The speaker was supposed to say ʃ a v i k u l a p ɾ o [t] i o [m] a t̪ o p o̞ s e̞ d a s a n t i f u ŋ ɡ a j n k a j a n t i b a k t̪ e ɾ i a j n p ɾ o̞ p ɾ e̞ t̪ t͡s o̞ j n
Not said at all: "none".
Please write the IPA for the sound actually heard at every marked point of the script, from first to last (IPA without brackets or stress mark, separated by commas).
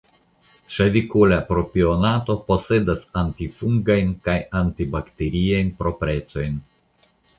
p, n